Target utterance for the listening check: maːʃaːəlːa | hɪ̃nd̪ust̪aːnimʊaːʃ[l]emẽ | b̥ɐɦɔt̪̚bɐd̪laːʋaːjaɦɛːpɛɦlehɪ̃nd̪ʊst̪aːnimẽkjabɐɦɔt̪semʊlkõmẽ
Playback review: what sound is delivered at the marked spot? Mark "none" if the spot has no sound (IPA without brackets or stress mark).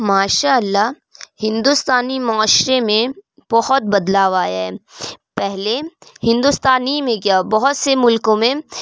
ɾ